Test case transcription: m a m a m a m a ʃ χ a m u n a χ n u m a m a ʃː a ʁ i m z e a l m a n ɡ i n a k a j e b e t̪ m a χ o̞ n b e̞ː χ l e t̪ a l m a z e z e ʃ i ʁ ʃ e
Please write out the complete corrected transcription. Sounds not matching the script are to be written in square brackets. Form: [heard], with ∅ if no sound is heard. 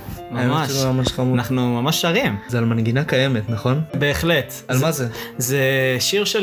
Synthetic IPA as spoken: m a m a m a m a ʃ χ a m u n a χ n u m a m a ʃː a ʁ i m z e a l m a n ɡ i n a k a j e [m] e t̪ [n] a χ o̞ n b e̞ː χ l e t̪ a l m a z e z e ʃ i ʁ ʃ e